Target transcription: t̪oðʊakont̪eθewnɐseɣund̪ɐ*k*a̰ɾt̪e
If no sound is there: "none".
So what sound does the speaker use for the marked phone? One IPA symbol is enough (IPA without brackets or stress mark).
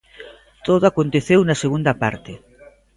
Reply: p